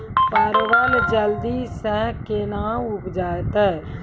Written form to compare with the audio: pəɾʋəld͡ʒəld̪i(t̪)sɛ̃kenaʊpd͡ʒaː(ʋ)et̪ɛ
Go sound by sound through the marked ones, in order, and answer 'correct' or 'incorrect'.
incorrect: none, incorrect: none

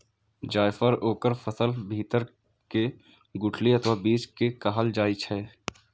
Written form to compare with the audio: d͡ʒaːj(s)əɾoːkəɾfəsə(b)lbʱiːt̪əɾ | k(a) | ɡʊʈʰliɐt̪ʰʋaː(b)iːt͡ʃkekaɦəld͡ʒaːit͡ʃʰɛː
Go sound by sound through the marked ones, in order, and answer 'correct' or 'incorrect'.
incorrect: f, incorrect: none, incorrect: e, correct

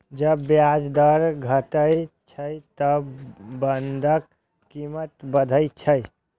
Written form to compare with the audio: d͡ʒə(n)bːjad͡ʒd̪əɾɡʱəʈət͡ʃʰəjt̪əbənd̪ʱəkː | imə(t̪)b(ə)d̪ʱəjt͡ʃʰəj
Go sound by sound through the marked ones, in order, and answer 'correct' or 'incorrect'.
incorrect: none, correct, correct

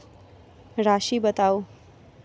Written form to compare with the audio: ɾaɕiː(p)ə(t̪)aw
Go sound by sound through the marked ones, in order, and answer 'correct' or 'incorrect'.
incorrect: b, correct

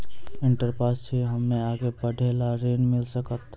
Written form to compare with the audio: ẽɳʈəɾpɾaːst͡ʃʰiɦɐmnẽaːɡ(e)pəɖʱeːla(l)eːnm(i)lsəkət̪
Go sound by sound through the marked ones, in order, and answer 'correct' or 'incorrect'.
correct, incorrect: ɾ, incorrect: ɪ

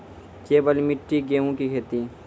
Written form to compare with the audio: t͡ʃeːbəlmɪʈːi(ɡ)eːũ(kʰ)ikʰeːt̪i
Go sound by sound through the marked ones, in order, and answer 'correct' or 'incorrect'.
correct, incorrect: k

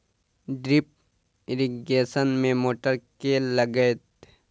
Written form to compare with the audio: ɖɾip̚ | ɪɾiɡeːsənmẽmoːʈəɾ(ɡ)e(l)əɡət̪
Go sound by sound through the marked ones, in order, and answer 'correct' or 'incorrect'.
incorrect: k, correct

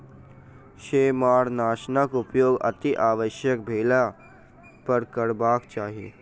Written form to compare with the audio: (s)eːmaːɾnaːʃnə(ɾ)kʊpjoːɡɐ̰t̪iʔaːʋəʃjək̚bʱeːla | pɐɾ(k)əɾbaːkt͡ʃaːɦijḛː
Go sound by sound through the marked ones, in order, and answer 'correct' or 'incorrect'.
incorrect: ʃ, incorrect: none, correct

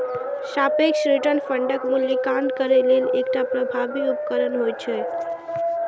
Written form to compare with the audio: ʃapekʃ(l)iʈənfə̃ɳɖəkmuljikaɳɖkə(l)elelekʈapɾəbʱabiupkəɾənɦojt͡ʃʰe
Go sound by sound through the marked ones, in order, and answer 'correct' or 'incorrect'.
incorrect: ɾ, incorrect: ɾ

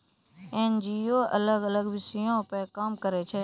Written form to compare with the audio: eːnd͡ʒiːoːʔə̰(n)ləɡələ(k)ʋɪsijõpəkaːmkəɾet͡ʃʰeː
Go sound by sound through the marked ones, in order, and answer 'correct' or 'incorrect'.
incorrect: none, incorrect: ɡ

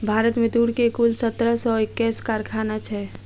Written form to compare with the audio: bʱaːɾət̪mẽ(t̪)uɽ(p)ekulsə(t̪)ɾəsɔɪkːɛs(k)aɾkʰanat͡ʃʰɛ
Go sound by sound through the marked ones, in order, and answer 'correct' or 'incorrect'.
incorrect: d̪, incorrect: k, correct, correct

